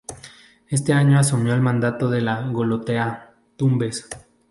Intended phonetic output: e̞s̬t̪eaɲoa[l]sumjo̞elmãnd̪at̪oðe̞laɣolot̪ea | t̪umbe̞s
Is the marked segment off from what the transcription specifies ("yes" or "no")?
yes